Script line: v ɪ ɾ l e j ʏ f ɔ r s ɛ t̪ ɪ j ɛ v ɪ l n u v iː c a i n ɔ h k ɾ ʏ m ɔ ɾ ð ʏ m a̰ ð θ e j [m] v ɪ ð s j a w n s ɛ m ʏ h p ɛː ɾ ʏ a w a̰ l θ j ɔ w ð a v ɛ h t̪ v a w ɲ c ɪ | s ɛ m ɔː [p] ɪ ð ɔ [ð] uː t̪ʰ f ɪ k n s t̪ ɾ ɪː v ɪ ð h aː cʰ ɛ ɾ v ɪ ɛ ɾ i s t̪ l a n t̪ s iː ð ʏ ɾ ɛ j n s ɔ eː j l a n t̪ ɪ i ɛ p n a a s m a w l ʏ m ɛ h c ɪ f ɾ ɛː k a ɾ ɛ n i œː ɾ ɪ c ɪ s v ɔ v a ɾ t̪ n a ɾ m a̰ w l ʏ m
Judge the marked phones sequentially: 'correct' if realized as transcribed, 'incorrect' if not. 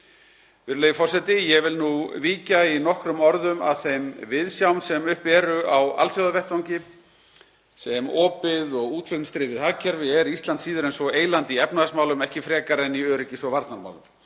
correct, correct, incorrect

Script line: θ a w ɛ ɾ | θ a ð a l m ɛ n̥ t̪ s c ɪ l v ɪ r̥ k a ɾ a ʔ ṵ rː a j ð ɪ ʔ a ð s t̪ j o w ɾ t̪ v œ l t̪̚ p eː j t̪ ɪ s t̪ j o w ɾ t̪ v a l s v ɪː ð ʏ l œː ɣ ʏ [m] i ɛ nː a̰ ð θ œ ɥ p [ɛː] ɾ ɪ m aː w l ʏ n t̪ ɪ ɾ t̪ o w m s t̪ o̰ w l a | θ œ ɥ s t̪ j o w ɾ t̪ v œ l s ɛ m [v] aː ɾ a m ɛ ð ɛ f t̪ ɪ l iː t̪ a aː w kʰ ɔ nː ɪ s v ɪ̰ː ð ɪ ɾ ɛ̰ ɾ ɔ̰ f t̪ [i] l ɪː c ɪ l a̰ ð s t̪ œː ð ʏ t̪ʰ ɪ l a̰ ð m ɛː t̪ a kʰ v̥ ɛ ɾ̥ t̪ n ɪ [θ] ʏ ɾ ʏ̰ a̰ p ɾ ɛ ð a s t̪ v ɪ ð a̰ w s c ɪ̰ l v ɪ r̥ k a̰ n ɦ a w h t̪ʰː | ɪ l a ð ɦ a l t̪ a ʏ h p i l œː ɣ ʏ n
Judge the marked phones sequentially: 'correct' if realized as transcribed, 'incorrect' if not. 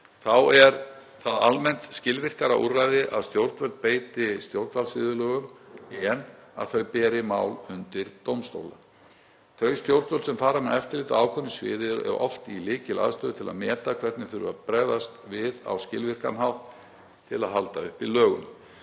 correct, correct, incorrect, correct, correct

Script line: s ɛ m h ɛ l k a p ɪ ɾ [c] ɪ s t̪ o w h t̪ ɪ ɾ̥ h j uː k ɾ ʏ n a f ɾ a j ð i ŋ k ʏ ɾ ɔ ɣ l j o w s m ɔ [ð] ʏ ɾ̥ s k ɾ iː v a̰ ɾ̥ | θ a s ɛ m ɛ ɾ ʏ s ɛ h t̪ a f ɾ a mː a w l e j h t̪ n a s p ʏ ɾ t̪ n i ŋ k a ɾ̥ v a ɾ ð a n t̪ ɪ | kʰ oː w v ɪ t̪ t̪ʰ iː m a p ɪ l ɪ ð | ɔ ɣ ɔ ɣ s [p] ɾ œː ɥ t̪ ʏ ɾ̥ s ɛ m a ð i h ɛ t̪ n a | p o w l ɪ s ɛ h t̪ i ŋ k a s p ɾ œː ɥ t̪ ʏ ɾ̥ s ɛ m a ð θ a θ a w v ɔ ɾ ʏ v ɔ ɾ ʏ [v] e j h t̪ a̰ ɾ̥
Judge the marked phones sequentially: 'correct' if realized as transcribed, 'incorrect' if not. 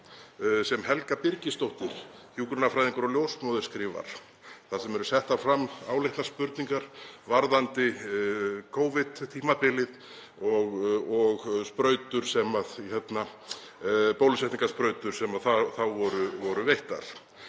correct, correct, correct, correct

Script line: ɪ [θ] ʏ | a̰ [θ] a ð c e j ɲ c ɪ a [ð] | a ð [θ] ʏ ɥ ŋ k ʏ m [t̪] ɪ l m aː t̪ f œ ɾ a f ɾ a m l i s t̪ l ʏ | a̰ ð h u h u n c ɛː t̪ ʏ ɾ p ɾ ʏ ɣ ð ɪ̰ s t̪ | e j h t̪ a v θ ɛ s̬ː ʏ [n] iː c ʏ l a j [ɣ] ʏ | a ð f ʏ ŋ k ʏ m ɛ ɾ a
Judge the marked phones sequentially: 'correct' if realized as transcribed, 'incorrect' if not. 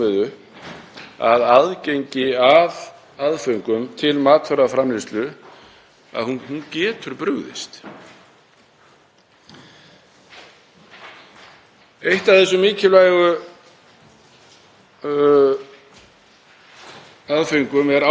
incorrect, incorrect, incorrect, incorrect, incorrect, incorrect, correct

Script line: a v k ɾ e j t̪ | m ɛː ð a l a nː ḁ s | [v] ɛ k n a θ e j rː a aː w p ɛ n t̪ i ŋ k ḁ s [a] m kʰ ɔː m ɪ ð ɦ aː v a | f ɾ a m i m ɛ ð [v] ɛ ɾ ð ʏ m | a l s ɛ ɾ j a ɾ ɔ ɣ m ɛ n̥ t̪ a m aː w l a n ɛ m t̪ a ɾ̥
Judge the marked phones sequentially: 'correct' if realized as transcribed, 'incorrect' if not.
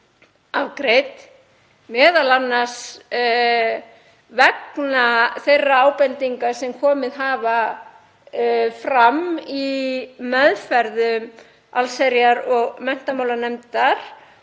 correct, incorrect, incorrect

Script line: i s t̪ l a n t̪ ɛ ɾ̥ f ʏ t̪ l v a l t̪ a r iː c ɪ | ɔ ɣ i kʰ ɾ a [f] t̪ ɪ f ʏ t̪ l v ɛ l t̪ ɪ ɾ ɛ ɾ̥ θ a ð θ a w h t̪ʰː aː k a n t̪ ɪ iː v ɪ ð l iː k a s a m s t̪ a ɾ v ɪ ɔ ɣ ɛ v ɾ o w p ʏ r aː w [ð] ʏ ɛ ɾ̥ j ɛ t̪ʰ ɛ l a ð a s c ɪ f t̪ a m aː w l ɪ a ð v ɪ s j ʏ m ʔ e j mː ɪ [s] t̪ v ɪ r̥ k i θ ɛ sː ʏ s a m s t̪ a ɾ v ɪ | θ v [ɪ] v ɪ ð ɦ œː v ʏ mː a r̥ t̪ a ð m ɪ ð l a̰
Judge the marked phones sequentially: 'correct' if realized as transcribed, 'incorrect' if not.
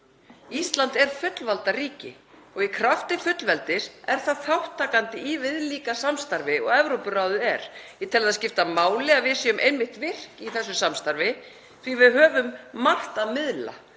correct, correct, incorrect, incorrect

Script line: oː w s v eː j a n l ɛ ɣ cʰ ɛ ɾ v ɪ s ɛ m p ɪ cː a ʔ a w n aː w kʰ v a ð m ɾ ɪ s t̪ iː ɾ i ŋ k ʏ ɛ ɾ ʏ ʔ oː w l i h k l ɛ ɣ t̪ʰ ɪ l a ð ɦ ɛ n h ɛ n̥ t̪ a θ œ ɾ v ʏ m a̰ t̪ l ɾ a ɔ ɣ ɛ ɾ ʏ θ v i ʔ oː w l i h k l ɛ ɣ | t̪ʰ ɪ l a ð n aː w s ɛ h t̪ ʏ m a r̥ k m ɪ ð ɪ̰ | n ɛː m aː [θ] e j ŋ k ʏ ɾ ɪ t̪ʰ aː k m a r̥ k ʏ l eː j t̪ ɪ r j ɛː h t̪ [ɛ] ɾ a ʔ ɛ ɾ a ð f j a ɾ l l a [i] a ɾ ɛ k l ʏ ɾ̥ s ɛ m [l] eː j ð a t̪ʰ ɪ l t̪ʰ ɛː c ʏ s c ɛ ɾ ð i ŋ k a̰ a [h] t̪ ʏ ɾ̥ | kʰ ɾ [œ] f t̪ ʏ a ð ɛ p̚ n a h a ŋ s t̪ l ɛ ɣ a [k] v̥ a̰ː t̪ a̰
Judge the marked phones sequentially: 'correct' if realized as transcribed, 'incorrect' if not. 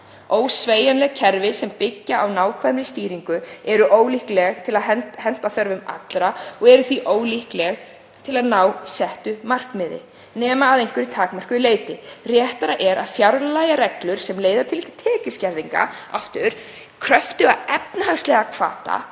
incorrect, incorrect, incorrect, correct, incorrect, correct, incorrect

